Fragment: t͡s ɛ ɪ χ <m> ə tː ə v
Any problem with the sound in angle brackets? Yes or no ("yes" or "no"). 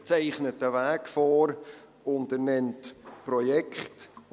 yes